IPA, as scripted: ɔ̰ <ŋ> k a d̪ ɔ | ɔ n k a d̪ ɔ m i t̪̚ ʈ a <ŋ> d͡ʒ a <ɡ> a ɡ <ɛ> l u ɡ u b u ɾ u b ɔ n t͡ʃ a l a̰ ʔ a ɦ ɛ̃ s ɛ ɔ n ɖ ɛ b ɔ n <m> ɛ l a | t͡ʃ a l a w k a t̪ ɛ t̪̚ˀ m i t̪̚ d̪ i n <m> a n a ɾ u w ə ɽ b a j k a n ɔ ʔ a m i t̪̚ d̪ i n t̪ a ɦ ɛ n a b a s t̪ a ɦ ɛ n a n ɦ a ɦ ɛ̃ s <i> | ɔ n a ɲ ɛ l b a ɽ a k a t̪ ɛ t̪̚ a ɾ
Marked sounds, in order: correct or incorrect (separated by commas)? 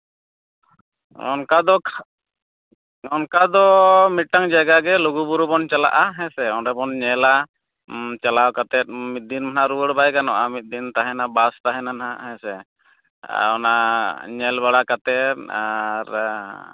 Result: incorrect, correct, correct, correct, incorrect, correct, incorrect